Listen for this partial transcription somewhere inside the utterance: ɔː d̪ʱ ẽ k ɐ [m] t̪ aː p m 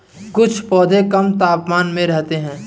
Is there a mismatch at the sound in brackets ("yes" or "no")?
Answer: no